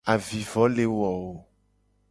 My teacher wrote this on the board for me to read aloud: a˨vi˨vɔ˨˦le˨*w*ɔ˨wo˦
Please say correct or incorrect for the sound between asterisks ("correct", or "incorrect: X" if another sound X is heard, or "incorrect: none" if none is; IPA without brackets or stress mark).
correct